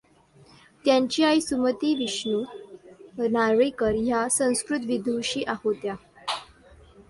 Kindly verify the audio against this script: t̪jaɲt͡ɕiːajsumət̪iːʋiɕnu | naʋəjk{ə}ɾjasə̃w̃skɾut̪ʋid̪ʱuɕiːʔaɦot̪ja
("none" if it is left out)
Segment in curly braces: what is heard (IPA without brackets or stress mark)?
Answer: ə